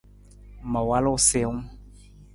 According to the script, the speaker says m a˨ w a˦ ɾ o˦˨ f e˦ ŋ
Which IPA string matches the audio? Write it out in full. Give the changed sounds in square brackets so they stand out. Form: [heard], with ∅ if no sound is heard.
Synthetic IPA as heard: m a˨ w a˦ [l] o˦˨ [s] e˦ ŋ